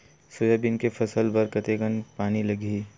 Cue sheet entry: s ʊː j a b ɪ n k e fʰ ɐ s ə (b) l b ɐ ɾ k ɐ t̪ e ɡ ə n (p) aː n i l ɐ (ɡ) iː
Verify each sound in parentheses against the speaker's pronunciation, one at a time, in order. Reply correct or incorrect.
incorrect, correct, correct

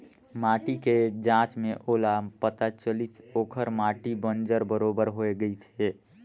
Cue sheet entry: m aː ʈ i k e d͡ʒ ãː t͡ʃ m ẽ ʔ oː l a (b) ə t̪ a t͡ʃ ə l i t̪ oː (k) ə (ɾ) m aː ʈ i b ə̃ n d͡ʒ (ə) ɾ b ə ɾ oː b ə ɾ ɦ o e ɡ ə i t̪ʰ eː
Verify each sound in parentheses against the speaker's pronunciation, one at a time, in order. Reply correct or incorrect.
incorrect, incorrect, correct, correct

